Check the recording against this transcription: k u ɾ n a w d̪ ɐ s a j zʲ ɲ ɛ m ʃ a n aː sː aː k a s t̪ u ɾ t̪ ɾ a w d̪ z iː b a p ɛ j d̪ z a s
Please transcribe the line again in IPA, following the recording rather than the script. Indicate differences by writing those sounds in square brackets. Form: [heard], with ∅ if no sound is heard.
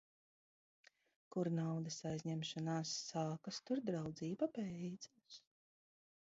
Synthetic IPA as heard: k u ɾ n a w d̪ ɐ s a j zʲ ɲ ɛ m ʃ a n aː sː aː k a s t̪ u ɾ [d̪] ɾ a w d̪ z iː b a p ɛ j d̪ z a s